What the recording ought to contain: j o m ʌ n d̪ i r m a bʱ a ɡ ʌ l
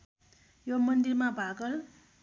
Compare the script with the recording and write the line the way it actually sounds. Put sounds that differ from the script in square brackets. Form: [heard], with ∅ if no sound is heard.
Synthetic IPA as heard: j o m ʌ n d̪ i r m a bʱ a ɡ ʌ l